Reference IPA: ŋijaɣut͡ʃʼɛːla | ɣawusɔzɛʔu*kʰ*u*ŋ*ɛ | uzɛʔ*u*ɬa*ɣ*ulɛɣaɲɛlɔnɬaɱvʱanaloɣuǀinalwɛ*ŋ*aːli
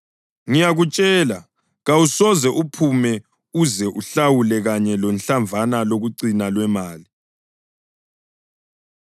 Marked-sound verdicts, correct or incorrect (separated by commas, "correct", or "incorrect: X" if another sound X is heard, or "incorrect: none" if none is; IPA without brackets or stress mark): incorrect: pʰ, incorrect: m, correct, incorrect: w, incorrect: m